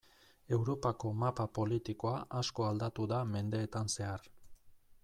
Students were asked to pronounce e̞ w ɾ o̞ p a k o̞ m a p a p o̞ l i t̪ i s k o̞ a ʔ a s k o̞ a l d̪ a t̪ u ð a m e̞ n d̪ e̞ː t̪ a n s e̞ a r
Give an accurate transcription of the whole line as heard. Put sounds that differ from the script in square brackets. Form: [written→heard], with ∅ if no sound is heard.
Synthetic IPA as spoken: e̞ w ɾ o̞ p a k o̞ m a p a p o̞ l i t̪ i [s→∅] k o̞ a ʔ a s k o̞ a l d̪ a t̪ u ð a m e̞ n d̪ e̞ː t̪ a n s e̞ a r